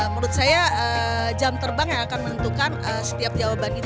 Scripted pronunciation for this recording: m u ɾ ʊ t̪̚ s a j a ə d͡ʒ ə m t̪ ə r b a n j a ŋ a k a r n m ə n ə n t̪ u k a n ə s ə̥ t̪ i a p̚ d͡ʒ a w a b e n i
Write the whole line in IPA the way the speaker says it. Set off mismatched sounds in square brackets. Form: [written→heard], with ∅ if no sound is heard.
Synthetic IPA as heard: m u ɾ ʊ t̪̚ s a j a ə d͡ʒ [ə→a] m t̪ ə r b a [n→ŋ] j a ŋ a k a [r→∅] n m ə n ə n t̪ u k a n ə s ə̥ t̪ i a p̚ d͡ʒ a w a b [e→a] n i

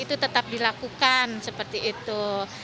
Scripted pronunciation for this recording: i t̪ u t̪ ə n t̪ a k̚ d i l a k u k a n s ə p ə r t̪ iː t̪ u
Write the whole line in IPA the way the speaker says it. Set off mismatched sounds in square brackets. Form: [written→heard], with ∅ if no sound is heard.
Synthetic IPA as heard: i t̪ u t̪ ə [n→∅] t̪ a [k̚→p̚] d i l a k u k a n s ə p ə r t̪ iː t̪ u

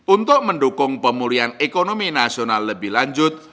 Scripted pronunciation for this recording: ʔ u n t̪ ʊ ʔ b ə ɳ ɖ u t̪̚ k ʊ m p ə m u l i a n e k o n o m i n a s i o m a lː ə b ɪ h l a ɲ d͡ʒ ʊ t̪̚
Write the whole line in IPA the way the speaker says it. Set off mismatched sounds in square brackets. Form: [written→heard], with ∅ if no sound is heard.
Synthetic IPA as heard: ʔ u n t̪ ʊ ʔ [b→m] ə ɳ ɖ u [t̪̚→∅] k ʊ [m→ŋ] p ə m u l i a n e k o n o m i n a s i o [m→n] a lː ə b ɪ h l a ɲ d͡ʒ ʊ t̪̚

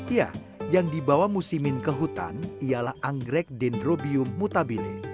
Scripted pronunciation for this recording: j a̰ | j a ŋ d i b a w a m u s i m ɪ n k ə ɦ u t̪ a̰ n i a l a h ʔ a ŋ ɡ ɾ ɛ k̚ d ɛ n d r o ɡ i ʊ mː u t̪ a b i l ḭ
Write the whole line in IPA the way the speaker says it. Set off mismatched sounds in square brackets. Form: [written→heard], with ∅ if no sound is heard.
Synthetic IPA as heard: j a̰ | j a ŋ d i b a w a m u s i m ɪ n k ə ɦ u t̪ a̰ n i a l a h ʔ a ŋ ɡ ɾ ɛ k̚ d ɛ n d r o [ɡ→b] i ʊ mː u t̪ a b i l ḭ

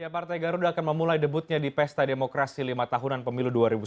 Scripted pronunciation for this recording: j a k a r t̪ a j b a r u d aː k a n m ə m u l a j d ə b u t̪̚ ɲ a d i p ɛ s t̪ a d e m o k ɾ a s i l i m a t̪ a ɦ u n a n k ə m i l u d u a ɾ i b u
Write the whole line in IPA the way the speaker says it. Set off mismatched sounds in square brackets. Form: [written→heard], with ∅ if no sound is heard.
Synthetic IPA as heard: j a [k→p] a r t̪ a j [b→ɡ] a [r→ɾ] u d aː k a n m ə m u l a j d ə b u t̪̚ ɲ a d i p ɛ s t̪ a d e m o k ɾ a s i l i m a t̪ a ɦ u n a n [k→p] ə m i l u d u a ɾ i b u

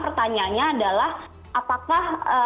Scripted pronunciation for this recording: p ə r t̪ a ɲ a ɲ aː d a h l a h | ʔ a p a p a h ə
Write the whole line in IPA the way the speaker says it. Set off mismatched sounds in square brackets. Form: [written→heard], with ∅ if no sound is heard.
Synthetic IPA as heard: p ə r t̪ a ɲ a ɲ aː d a [h→∅] l a h | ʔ a p a [p→k] a h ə

